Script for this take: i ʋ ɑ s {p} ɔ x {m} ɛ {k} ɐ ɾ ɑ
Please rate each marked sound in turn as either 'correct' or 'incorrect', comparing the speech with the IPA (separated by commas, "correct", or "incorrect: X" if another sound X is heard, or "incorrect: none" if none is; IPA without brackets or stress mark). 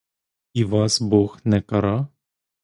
incorrect: b, incorrect: n, correct